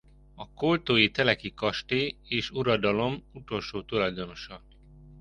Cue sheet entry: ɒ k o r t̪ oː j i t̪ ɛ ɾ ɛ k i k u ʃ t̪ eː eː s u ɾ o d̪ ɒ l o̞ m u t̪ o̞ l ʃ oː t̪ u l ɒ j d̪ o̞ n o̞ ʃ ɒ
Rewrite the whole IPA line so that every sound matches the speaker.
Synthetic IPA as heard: ɒ k o l t̪ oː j i t̪ ɛ l ɛ k i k ɒ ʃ t̪ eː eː ʃ u ɾ ɒ d̪ ɒ l o̞ m u t̪ o̞ l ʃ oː t̪ u l ɒ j d̪ o̞ n o̞ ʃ ɒ